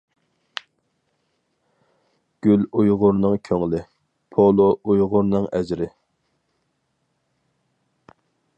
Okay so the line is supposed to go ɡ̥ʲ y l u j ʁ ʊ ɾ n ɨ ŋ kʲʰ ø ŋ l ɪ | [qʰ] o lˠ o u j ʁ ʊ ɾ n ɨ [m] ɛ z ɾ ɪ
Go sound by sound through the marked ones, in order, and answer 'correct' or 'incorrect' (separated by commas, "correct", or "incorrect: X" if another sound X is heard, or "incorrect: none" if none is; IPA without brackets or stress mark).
incorrect: pʰ, incorrect: ŋ